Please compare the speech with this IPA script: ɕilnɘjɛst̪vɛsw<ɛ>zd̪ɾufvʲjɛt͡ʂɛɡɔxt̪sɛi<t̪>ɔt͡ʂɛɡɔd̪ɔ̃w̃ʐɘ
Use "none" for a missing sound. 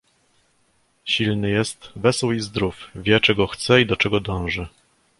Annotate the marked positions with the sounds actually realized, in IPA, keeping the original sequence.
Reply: i, d̪

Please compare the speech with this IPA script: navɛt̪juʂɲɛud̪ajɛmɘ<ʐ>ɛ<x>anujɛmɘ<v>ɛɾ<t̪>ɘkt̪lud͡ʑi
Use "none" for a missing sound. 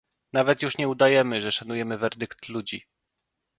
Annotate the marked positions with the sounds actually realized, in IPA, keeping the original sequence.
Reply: ʐ, ʂ, v, d̪

